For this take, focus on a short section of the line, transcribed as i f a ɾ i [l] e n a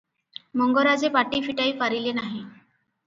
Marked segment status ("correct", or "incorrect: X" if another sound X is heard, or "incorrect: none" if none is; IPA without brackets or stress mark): correct